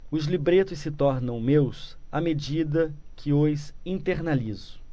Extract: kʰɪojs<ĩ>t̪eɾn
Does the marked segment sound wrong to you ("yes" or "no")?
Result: no